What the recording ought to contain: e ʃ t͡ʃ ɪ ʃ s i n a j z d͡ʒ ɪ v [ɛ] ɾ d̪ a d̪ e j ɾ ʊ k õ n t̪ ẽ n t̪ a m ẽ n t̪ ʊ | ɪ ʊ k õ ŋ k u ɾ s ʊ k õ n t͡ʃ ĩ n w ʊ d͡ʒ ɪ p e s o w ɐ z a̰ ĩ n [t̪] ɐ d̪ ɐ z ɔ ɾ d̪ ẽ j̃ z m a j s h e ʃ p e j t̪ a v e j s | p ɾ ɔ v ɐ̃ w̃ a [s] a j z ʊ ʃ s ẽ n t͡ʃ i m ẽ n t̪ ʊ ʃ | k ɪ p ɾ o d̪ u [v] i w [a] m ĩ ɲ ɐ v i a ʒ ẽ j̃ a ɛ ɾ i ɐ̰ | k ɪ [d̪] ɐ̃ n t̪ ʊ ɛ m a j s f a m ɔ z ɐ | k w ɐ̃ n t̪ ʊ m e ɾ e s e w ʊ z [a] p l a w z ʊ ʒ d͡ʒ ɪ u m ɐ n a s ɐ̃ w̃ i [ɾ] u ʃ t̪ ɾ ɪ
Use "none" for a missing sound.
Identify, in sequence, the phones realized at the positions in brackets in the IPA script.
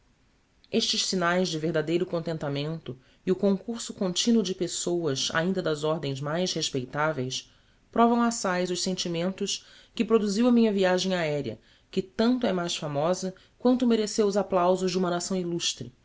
e, d̪, s, z, ɐ, t̪, a, l

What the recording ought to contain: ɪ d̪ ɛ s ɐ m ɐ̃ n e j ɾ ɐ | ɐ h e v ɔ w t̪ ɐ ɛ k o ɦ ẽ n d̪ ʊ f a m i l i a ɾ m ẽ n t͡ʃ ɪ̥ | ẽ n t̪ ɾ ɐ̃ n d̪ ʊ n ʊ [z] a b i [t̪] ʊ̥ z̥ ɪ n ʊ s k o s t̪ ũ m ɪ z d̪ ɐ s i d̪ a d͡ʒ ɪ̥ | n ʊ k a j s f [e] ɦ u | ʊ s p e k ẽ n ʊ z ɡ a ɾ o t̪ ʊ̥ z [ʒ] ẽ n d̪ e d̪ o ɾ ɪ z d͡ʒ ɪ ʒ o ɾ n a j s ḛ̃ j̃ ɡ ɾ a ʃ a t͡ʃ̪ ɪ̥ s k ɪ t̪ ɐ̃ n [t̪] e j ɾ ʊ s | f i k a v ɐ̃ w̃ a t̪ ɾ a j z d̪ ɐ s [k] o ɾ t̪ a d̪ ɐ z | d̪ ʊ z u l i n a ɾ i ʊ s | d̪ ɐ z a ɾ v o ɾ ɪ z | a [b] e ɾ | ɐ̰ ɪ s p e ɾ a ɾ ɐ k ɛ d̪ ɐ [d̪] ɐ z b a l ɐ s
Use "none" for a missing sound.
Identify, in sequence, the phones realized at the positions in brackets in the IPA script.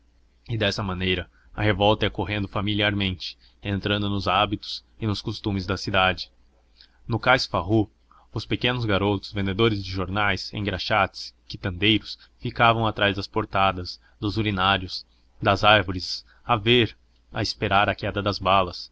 z, t̪, a, v, d̪, p, v, d̪

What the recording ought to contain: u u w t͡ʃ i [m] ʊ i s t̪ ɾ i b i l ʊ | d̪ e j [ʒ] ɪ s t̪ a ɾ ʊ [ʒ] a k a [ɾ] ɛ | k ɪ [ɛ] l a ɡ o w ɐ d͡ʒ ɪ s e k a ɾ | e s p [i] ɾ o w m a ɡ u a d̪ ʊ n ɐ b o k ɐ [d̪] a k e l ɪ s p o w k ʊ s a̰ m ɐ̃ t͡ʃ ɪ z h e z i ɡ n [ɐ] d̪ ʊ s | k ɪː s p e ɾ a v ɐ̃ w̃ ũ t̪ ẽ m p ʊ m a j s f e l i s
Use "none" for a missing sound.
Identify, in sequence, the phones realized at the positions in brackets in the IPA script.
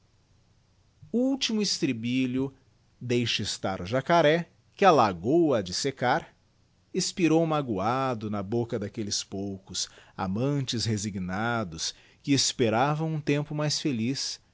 m, ʃ, ʒ, ɾ, a, i, d̪, a

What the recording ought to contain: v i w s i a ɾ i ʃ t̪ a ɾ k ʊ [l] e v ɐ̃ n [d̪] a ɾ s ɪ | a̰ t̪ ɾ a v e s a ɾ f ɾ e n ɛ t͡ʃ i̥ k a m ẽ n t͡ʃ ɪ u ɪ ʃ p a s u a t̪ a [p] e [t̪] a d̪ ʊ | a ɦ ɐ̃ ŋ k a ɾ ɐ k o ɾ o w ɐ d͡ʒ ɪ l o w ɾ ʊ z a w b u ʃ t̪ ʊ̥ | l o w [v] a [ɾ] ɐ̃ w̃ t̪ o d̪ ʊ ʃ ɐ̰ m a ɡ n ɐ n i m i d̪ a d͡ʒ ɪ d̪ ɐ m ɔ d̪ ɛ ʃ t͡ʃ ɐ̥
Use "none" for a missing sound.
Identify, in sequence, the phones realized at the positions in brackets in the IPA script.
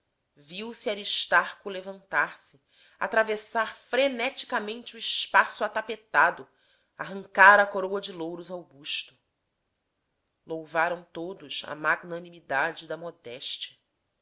l, t̪, p, t̪, v, ɾ

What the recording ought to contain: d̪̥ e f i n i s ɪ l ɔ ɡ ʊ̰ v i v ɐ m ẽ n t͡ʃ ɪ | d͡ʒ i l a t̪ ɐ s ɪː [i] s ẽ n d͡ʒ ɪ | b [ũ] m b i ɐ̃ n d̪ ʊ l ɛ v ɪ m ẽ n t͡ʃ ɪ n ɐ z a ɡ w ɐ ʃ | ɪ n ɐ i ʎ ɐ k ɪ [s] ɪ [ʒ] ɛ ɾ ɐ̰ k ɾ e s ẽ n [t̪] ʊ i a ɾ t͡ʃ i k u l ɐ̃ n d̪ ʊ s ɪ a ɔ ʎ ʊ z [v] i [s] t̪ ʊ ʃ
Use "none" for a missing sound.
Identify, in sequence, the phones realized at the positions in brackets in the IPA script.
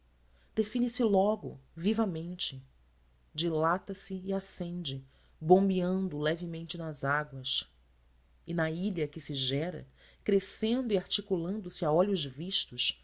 a, õ, s, ʒ, d̪, v, ʃ

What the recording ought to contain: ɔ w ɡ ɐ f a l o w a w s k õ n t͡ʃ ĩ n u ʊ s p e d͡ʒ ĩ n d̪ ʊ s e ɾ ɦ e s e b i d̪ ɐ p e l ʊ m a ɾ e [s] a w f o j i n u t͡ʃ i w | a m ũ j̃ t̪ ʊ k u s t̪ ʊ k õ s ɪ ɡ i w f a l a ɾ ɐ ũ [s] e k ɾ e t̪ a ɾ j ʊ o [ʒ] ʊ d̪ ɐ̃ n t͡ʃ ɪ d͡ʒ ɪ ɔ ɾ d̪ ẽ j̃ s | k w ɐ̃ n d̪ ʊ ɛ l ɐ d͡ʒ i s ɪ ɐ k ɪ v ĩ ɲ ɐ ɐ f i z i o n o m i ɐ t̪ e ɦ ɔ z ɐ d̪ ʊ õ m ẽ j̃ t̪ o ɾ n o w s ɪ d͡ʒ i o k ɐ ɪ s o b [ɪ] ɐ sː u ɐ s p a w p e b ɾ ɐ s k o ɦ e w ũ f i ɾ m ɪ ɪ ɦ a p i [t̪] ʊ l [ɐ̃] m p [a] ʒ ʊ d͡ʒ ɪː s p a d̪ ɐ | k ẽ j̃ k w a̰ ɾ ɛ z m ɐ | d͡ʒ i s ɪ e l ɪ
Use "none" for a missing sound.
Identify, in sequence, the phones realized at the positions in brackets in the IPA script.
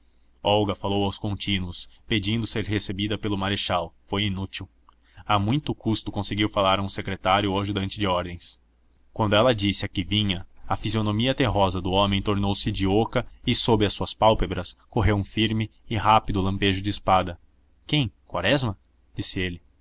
ʃ, s, ʒ, ɪ, d̪, ɐ̃, e

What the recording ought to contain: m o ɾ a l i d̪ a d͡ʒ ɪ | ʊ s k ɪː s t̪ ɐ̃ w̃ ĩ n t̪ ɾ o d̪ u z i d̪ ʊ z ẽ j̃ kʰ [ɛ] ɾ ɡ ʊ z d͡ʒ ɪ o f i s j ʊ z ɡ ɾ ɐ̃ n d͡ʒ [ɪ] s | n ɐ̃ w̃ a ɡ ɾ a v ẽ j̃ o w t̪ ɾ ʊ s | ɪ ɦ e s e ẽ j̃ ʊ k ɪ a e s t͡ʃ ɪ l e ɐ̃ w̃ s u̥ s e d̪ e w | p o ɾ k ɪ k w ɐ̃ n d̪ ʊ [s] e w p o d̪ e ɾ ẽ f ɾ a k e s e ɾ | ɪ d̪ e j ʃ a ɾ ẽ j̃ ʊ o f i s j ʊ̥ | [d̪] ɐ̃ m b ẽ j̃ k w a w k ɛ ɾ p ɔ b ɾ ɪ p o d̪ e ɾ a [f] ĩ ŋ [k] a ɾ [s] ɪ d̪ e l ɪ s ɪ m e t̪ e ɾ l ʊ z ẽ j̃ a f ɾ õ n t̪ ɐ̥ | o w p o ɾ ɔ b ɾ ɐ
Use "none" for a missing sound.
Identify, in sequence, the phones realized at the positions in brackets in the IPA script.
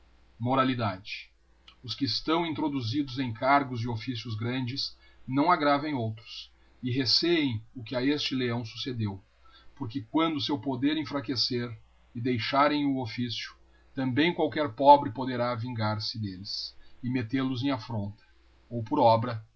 a, ɪ, s, t̪, v, ɡ, s

